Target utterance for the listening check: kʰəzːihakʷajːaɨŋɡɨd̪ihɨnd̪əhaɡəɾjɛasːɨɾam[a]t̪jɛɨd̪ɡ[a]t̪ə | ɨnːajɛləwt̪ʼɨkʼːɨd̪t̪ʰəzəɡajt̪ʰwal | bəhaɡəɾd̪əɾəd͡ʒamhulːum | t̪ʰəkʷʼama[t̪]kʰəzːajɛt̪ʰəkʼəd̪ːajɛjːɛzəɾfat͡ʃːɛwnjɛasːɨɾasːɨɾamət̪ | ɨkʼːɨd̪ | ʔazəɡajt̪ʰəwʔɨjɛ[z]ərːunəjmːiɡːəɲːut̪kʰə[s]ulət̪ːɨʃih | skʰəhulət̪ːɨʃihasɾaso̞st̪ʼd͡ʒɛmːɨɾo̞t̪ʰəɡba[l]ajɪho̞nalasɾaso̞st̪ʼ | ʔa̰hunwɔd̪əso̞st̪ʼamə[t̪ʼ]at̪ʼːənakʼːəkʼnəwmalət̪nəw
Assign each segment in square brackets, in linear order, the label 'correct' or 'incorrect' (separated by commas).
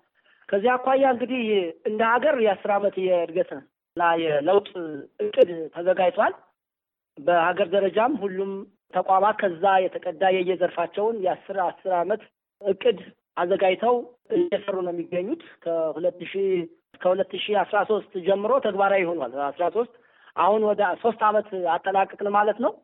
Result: incorrect, incorrect, correct, incorrect, incorrect, incorrect, incorrect